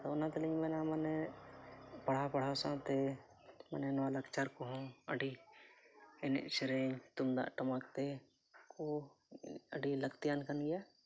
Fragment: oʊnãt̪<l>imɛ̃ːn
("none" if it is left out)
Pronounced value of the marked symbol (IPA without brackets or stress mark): l